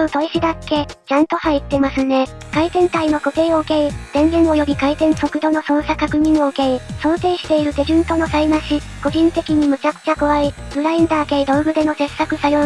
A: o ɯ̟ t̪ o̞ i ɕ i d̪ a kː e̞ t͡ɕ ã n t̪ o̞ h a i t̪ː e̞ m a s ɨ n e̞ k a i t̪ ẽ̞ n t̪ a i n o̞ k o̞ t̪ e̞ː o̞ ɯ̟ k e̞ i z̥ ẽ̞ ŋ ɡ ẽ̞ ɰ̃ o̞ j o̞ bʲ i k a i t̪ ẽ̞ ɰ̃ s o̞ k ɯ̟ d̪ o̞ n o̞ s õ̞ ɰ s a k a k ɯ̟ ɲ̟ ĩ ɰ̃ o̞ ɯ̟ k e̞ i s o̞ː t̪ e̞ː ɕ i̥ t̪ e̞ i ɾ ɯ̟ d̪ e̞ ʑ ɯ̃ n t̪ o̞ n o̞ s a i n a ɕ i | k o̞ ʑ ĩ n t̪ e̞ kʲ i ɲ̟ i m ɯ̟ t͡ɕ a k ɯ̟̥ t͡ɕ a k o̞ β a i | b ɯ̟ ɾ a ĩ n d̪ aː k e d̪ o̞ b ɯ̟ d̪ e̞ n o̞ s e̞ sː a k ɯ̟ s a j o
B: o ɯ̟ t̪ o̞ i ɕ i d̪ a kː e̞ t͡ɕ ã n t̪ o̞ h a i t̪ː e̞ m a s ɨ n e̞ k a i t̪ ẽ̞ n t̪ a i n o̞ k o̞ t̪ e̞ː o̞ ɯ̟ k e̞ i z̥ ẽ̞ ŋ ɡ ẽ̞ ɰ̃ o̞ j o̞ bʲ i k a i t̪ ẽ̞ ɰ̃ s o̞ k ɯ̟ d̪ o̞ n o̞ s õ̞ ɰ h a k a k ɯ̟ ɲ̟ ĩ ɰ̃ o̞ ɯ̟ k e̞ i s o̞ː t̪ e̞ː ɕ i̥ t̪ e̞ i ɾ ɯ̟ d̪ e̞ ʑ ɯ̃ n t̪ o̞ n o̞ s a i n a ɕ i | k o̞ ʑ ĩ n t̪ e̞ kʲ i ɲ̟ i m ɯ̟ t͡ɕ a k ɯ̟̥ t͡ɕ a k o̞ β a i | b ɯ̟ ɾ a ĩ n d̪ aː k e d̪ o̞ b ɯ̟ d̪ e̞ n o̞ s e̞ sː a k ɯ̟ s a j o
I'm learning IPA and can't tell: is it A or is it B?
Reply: A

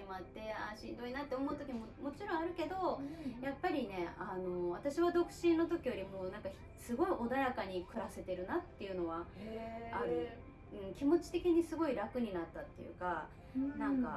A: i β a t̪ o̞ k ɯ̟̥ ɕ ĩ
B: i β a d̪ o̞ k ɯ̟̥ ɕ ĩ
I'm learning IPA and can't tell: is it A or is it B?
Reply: B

